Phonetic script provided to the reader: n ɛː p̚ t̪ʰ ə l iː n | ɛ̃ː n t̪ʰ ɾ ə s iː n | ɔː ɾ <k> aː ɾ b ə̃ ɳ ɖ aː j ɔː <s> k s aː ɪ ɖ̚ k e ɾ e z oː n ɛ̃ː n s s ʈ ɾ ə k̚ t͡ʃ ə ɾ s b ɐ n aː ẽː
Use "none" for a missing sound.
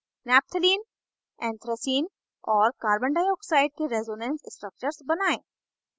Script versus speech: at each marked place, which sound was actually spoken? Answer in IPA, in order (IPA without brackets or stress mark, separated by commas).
k, none